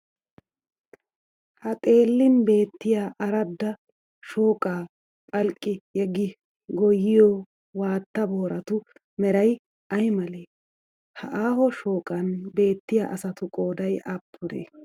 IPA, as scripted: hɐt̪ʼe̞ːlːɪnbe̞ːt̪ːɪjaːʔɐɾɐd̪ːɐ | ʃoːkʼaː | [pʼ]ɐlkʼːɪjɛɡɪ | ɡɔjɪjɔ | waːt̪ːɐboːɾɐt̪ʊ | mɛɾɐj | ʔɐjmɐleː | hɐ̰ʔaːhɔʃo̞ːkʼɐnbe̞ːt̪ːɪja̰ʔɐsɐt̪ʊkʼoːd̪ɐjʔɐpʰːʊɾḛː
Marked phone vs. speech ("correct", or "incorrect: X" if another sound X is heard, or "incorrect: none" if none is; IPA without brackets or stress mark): correct